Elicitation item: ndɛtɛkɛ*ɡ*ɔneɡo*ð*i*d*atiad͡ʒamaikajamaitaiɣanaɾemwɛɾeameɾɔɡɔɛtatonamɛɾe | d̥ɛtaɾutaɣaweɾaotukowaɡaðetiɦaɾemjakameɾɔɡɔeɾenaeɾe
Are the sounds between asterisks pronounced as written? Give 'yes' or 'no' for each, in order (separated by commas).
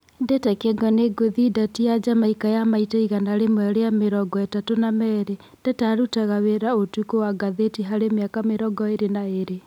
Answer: yes, yes, yes